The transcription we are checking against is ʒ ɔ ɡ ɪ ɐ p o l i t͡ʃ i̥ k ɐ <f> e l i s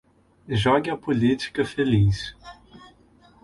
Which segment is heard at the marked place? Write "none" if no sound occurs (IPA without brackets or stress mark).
f